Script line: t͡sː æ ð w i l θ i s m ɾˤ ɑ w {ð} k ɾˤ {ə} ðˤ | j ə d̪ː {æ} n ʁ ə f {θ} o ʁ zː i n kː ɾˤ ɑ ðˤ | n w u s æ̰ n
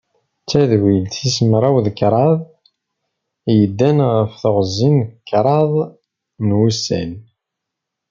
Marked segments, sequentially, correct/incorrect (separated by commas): correct, incorrect, correct, correct